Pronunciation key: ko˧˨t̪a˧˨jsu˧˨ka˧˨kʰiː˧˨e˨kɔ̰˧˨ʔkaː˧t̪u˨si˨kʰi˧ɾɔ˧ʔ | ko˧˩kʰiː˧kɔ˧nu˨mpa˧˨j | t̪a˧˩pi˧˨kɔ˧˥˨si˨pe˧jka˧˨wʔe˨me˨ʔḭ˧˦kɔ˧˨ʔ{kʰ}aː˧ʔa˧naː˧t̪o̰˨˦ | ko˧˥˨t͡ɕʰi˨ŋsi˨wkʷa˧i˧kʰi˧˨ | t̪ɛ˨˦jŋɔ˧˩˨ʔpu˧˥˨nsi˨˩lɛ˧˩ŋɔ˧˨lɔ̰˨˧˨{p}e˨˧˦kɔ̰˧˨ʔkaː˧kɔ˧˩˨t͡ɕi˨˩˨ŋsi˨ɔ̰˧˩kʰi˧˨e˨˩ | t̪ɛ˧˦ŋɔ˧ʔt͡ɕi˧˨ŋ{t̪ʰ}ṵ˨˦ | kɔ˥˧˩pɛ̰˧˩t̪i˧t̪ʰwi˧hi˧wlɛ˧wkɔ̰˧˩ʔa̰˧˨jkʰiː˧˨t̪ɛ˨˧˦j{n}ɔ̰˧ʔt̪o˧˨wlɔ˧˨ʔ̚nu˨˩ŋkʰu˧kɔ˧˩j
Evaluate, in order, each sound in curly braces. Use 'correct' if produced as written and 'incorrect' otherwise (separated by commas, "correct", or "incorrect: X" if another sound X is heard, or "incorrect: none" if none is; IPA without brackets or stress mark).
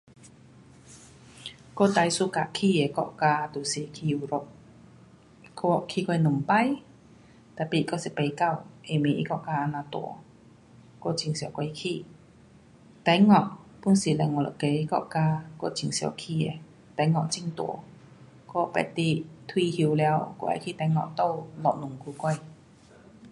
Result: incorrect: k, incorrect: k, incorrect: t̪, incorrect: ŋ